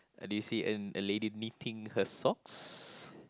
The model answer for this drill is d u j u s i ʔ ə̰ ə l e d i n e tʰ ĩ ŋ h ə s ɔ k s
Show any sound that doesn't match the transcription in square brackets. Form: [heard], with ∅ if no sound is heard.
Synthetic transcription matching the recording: d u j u s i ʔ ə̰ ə l e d i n [i] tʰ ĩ ŋ h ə s ɔ k s